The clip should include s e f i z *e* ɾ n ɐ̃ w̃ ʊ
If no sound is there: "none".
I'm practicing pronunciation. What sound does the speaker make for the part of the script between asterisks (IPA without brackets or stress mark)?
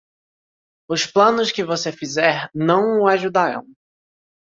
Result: ɛ